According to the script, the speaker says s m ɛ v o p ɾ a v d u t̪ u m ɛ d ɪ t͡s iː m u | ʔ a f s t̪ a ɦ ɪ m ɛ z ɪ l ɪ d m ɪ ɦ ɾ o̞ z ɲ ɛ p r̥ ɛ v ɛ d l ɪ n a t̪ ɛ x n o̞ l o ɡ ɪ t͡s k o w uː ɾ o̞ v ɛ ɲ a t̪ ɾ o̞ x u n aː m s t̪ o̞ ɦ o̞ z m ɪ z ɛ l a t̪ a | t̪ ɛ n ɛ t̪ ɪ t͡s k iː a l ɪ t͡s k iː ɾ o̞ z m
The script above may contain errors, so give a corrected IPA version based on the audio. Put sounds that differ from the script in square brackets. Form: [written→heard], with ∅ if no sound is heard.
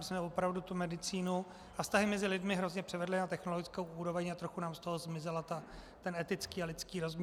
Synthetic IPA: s m ɛ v o p ɾ a v d u t̪ u m ɛ d ɪ t͡s iː [m→n] u | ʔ a f s t̪ a ɦ ɪ m ɛ z ɪ l ɪ d m ɪ ɦ ɾ o̞ z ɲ ɛ p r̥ ɛ v ɛ d l ɪ n a t̪ ɛ x n o̞ l o ɡ ɪ t͡s k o w uː ɾ o̞ v ɛ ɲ a t̪ ɾ o̞ x u n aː m s t̪ o̞ ɦ o̞ z m ɪ z ɛ l a t̪ a | t̪ ɛ n ɛ t̪ ɪ t͡s k iː a l ɪ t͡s k iː ɾ o̞ z m